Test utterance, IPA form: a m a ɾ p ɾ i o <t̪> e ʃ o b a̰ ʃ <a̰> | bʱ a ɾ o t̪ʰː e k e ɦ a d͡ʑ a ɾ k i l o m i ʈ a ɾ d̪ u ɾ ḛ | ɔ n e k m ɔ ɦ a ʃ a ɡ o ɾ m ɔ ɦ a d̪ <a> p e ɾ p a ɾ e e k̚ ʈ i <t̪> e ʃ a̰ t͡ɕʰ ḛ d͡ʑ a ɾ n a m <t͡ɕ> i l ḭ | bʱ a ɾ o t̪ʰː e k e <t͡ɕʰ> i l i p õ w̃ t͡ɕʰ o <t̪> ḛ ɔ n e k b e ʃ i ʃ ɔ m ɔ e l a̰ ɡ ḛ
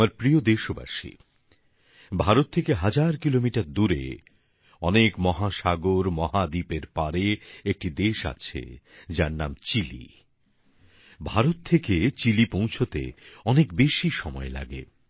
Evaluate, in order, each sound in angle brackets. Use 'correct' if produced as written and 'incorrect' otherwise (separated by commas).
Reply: incorrect, incorrect, incorrect, incorrect, correct, incorrect, correct